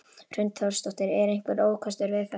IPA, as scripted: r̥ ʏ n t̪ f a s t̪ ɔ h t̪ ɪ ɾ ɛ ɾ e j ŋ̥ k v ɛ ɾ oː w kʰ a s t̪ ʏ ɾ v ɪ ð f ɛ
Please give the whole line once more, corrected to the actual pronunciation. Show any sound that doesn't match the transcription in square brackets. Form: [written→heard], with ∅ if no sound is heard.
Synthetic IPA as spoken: r̥ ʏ n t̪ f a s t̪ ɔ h t̪ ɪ ɾ ɛ ɾ e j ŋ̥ k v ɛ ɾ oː w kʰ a s t̪ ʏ ɾ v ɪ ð f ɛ